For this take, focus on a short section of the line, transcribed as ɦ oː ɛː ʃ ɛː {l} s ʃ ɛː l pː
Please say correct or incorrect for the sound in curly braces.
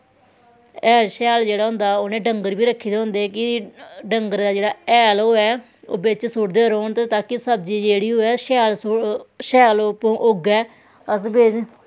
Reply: correct